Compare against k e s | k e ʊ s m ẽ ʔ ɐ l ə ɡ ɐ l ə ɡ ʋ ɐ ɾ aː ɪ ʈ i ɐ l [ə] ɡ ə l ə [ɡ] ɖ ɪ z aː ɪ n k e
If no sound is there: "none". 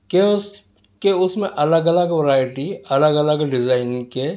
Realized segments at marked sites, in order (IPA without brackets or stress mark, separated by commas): ə, ɡ